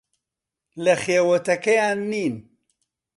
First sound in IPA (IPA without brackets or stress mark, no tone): l